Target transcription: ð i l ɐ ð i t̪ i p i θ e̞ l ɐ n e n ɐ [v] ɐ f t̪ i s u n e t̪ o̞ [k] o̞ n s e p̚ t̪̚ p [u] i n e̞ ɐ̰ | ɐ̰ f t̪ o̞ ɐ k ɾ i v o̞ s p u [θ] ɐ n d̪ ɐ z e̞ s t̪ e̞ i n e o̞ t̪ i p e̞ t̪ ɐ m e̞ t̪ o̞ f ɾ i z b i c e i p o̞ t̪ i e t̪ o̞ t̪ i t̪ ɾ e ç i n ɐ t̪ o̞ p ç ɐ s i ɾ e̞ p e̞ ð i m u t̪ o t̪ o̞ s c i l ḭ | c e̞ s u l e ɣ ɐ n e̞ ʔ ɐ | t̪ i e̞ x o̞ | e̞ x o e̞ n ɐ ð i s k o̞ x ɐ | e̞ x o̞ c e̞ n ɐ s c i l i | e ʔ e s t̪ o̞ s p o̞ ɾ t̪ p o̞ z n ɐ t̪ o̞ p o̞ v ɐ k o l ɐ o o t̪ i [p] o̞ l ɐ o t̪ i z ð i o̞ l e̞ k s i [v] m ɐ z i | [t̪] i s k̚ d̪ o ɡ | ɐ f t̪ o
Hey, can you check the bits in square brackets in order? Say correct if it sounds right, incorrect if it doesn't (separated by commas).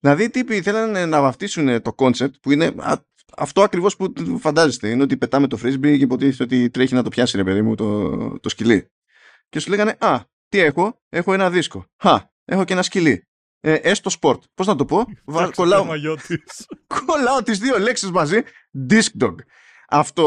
correct, correct, correct, incorrect, incorrect, incorrect, incorrect